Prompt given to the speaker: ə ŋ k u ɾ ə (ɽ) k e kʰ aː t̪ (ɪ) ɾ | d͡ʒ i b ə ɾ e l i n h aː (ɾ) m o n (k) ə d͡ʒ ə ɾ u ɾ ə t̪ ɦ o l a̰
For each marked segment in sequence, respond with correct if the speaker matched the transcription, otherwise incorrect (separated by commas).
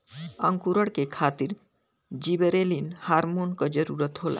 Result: correct, incorrect, correct, correct